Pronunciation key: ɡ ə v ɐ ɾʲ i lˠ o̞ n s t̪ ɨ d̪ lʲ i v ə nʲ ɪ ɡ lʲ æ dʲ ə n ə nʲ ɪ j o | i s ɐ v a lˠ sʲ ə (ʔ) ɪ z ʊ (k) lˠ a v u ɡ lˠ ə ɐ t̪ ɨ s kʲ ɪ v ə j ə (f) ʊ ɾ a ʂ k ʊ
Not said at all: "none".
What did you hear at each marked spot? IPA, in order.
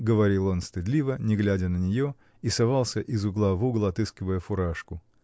ʔ, ɡ, f

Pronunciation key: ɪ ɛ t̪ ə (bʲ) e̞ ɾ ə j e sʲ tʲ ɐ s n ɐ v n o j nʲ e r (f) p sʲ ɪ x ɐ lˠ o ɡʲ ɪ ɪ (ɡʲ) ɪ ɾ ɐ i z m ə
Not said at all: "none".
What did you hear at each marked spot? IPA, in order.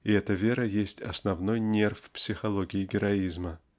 vʲ, f, ɡʲ

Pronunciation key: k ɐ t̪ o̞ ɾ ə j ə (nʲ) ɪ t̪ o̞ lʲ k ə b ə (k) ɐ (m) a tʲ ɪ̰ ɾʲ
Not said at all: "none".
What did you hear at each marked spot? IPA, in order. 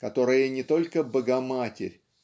nʲ, ɡ, m

